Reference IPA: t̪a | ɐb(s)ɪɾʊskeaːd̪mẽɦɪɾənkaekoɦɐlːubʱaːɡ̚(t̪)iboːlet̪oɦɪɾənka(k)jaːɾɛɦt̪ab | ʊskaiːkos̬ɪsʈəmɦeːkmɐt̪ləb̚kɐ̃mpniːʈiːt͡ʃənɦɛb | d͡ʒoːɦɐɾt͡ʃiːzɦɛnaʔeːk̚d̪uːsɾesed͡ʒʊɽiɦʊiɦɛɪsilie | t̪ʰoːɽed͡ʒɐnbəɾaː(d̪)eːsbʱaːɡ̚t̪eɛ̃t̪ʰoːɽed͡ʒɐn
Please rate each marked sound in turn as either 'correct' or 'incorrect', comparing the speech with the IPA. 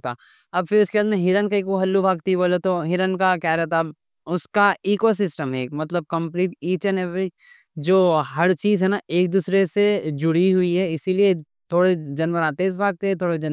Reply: incorrect: f, correct, correct, incorrect: t̪

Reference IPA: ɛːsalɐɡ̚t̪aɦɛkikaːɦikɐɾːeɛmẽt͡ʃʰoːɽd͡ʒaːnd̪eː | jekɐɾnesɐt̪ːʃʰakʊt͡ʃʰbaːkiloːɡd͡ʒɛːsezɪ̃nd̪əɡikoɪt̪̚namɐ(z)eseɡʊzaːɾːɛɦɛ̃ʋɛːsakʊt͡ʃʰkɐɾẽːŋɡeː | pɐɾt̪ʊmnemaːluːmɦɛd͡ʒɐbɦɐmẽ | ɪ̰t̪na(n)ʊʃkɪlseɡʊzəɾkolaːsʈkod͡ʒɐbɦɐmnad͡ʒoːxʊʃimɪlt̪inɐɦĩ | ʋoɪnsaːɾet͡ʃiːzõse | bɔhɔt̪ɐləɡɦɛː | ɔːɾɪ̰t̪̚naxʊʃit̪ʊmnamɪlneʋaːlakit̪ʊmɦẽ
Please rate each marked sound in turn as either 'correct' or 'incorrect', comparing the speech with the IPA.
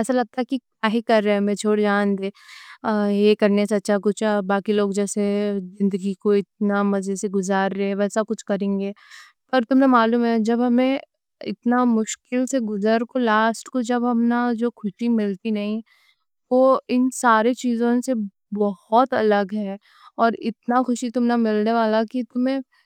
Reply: correct, incorrect: m

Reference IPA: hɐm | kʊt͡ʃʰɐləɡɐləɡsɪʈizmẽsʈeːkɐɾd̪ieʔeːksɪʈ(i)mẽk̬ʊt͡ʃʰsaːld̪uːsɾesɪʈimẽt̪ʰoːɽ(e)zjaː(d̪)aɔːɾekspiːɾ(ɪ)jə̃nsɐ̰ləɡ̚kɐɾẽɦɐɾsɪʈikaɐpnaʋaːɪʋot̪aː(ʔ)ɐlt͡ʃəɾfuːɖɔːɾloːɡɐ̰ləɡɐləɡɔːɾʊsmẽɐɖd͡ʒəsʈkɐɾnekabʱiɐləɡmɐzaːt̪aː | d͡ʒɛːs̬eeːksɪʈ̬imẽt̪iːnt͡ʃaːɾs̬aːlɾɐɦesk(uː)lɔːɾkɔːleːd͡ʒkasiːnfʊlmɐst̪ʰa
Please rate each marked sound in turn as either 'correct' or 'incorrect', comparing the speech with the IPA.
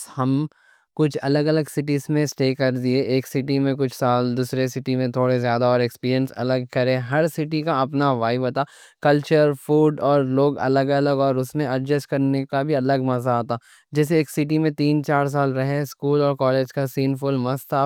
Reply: correct, correct, correct, incorrect: i, incorrect: k, correct

